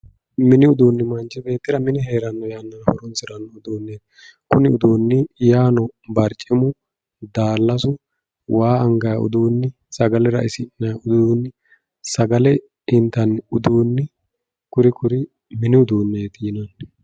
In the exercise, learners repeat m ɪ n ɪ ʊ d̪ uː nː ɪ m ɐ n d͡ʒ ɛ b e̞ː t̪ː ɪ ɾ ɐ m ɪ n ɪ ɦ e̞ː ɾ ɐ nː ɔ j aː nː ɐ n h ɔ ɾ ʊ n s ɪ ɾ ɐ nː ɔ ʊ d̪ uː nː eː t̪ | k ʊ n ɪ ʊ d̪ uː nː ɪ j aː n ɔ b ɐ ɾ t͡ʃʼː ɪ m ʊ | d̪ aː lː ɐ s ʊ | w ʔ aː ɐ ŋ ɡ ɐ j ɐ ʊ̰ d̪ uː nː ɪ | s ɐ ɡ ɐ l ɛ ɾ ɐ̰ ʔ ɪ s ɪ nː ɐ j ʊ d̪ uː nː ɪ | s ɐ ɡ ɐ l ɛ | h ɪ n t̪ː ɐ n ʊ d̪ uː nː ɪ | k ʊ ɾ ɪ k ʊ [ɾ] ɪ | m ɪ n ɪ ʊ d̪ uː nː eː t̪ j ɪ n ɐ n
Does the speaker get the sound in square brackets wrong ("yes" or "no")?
no